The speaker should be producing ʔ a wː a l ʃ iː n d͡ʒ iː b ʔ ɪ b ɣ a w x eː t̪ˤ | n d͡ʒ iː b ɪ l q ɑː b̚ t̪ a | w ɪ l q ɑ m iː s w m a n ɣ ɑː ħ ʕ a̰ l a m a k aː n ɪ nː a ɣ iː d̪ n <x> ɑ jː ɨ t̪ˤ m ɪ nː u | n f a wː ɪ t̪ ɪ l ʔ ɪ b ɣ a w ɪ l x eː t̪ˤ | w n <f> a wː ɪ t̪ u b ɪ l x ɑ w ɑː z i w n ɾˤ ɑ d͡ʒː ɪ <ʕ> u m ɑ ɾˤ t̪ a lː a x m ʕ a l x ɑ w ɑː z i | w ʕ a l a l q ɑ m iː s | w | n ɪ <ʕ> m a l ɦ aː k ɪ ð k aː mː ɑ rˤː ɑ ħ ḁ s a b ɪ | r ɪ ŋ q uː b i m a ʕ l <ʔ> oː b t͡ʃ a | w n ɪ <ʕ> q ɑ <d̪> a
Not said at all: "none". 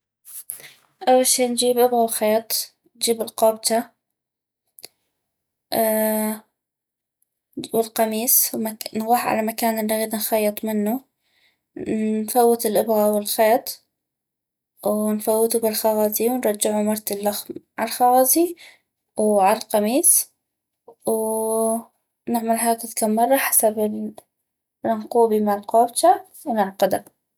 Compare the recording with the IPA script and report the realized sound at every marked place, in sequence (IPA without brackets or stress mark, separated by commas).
x, f, ʕ, ʕ, q, ʕ, d̪